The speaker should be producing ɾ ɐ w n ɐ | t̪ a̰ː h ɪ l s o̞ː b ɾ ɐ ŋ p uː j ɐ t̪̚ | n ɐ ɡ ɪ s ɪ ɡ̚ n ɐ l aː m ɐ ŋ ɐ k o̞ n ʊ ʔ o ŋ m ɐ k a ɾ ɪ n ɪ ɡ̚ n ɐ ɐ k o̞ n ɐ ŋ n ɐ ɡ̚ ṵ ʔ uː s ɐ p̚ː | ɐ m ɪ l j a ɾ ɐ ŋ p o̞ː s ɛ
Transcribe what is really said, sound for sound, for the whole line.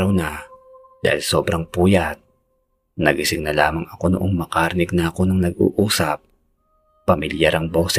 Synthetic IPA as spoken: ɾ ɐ w n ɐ | d̪ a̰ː h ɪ l s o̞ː b ɾ ɐ ŋ p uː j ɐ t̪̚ | n ɐ ɡ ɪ s ɪ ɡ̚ n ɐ l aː m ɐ ŋ ɐ k o̞ n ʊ ʔ o ŋ m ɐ k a ɾ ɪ n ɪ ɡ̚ n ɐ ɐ k o̞ n ɐ ŋ n ɐ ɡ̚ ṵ ʔ uː s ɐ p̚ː | ɐ m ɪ l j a ɾ ɐ ŋ b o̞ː s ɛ